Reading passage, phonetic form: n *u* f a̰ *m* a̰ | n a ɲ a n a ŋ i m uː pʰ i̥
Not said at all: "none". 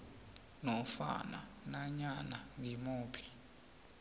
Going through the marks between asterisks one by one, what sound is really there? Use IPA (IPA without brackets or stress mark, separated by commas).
ɔ, n